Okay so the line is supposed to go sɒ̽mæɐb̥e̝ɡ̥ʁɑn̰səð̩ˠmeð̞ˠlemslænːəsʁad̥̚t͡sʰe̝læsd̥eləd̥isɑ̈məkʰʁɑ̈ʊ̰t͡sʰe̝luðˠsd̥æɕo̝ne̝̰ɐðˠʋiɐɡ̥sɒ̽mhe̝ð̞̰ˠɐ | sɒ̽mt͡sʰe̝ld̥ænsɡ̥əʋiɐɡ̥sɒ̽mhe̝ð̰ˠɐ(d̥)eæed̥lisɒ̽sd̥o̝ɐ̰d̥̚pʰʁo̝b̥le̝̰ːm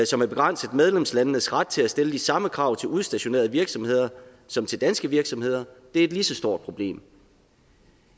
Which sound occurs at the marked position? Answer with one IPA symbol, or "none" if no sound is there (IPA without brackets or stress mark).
d̥